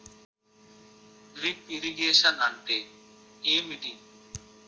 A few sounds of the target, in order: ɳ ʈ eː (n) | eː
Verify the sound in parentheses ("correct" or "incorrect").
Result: incorrect